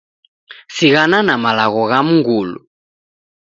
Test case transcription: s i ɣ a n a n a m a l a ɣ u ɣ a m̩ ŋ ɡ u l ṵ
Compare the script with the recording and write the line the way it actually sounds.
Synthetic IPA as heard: s i ɣ a n a n a m a l a ɣ ɔ ɣ a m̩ ŋ ɡ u l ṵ